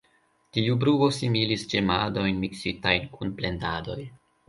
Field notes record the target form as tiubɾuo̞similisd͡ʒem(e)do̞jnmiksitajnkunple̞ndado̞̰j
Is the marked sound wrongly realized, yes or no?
yes